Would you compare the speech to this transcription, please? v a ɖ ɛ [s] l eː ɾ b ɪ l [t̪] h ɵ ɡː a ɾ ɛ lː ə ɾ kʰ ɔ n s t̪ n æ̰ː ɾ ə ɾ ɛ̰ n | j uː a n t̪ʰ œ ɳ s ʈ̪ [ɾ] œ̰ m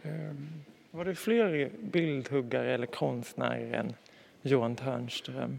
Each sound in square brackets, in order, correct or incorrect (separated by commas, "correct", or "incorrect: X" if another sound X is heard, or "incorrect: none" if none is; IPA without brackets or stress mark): incorrect: f, incorrect: d̪, correct